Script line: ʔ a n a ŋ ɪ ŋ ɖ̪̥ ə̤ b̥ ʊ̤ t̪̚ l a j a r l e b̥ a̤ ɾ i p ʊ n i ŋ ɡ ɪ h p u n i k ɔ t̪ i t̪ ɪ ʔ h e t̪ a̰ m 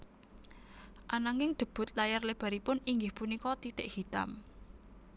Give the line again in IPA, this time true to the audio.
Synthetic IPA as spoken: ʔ a n a ŋ ɪ ŋ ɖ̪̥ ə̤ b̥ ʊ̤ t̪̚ l a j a r l e b̥ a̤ ɾ i p ʊ n i ŋ ɡ ɪ h p u n i k ɔ t̪ i t̪ ɪ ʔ h i t̪ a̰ m